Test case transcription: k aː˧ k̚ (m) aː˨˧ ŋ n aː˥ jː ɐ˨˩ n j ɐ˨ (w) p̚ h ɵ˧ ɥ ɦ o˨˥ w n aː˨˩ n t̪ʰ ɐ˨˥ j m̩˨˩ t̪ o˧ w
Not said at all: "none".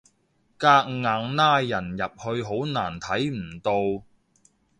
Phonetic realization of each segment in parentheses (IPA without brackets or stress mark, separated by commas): ŋ, none